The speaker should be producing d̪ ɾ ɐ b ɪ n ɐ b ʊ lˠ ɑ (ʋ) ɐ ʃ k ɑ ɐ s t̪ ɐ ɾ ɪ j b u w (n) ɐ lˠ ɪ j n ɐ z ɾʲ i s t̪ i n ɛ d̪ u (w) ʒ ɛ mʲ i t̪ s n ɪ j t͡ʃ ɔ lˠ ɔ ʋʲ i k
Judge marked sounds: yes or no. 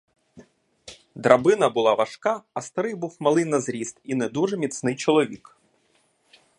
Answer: yes, no, no

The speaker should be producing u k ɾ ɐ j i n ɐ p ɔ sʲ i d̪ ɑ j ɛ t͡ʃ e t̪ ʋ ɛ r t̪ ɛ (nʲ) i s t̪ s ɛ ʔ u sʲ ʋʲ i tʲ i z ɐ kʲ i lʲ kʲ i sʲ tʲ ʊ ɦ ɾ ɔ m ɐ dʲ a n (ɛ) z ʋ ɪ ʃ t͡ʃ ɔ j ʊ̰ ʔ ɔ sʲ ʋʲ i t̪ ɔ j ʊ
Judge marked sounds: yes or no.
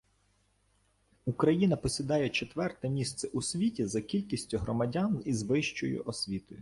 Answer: no, no

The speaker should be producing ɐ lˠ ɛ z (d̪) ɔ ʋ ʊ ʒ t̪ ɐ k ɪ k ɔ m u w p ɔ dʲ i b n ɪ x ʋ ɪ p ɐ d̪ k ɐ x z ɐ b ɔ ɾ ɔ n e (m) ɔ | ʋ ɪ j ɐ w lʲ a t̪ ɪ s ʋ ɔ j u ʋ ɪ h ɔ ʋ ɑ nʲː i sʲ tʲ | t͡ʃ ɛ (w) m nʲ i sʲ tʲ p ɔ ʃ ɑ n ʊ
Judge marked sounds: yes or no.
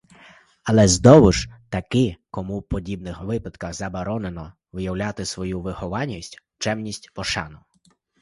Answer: yes, no, no

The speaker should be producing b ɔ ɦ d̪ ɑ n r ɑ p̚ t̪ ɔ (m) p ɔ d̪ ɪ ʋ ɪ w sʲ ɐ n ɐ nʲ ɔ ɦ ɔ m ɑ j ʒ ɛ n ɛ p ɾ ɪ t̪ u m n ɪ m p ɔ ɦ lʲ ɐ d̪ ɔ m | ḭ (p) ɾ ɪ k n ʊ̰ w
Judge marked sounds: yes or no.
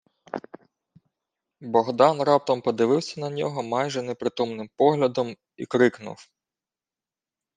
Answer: yes, no

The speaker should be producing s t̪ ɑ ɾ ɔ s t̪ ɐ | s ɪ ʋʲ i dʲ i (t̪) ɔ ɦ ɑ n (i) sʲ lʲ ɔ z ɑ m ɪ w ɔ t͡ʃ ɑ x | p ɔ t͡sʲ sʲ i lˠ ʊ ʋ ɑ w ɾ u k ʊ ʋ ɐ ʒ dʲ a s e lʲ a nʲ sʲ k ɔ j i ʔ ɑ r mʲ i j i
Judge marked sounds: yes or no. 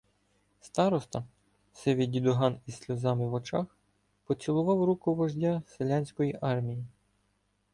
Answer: no, yes

